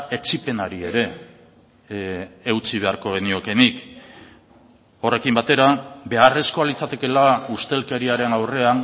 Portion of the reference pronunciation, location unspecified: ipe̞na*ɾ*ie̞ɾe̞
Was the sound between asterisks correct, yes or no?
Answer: yes